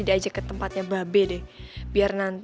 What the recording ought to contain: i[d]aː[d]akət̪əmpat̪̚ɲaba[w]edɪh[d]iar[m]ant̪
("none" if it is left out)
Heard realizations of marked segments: d, d͡ʒ, b, b, n

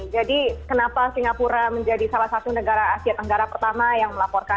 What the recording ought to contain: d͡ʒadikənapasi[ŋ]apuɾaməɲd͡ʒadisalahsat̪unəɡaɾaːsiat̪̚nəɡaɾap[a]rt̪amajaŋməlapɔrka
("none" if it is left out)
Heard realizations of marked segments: ŋ, ə

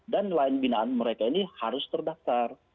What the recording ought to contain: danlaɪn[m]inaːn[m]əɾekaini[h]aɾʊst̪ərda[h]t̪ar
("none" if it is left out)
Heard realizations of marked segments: b, m, h, f

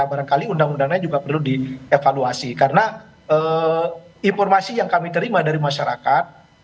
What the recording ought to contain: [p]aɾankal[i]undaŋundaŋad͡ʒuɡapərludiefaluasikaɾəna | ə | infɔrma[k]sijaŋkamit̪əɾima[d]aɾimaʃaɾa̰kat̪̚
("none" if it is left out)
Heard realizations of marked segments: b, i, none, d

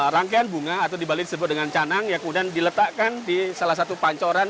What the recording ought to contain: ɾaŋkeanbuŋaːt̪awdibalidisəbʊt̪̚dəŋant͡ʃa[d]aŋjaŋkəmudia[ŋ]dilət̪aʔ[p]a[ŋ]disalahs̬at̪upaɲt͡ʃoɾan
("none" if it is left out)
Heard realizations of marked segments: n, n, k, n

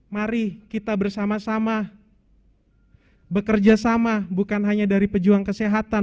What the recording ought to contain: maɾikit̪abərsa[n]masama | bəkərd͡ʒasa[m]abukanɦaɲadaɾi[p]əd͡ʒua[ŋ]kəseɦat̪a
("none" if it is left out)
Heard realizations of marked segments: none, m, p, ŋ

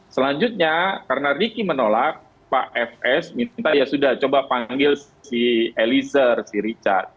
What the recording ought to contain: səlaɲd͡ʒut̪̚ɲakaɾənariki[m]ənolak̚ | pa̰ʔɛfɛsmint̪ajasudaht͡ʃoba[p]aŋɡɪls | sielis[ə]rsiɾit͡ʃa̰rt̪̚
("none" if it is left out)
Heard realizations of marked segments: m, p, ə

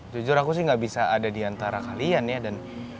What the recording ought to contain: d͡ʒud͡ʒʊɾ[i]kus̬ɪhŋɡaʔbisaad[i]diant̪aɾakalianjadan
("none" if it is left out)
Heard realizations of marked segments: a, a

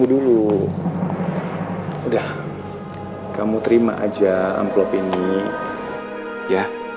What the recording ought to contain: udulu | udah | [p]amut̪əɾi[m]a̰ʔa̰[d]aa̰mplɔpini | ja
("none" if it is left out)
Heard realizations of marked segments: k, m, d͡ʒ

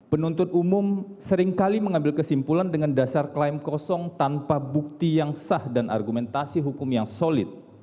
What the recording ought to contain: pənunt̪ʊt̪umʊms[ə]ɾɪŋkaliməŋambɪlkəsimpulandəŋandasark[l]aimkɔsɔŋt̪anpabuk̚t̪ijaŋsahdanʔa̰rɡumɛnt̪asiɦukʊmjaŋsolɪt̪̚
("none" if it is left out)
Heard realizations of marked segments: ə, l

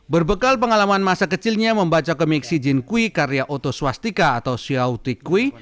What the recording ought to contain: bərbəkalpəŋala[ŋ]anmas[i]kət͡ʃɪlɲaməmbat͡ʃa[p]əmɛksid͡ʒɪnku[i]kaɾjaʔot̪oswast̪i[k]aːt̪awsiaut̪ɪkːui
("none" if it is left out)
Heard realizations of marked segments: m, a, k, i, k

